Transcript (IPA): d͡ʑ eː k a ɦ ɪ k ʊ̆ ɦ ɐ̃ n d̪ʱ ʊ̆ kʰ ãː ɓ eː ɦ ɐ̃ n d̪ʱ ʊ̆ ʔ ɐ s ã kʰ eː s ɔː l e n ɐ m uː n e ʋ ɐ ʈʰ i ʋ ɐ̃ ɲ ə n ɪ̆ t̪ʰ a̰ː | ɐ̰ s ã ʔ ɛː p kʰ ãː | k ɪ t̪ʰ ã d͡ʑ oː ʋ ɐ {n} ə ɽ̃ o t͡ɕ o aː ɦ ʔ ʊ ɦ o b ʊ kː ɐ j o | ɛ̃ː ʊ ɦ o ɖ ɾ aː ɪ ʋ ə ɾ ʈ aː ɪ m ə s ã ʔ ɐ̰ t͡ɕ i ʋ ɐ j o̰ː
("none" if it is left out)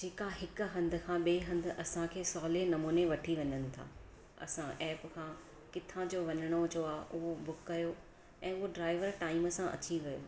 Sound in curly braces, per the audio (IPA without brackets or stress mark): ɲ